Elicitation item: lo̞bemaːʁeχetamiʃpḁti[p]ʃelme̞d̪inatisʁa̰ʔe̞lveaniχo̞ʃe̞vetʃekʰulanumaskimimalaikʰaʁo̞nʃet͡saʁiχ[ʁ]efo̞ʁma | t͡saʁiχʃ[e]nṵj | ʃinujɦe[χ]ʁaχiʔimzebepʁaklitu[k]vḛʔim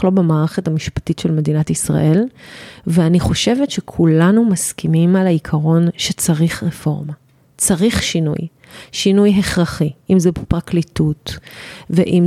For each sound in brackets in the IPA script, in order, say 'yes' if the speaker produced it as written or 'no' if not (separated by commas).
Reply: no, yes, no, yes, no